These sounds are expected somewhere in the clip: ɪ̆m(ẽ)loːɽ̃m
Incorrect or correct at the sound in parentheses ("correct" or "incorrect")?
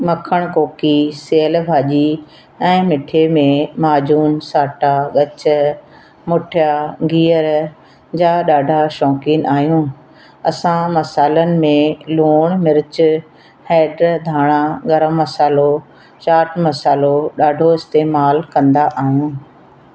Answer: correct